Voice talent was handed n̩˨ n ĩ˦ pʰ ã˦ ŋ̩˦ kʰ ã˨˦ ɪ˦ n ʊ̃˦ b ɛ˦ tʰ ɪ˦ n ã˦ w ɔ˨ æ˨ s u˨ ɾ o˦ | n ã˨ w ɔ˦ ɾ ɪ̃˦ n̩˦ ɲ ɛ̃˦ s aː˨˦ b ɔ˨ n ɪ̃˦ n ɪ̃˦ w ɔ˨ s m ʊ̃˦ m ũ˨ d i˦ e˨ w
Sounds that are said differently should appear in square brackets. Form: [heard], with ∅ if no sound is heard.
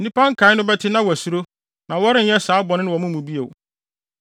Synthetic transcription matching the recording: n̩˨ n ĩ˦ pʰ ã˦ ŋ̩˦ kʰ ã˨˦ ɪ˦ n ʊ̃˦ b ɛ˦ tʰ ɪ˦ n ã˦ w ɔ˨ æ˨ s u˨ ɾ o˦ | n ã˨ w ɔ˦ ɾ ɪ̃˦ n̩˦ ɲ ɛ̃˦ s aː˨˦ b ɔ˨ n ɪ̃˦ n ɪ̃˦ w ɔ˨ [∅] m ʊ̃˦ m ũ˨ [b] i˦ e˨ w